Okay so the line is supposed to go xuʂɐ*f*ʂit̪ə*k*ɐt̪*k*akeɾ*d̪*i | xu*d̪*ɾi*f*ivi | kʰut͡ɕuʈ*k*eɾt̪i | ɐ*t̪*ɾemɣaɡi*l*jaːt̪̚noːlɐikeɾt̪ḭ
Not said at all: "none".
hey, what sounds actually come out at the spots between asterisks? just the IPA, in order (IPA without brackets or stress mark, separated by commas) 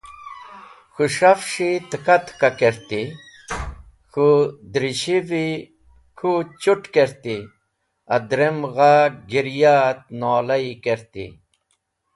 f, k, k, t̪, d̪, ɕ, k, d̪, ɾ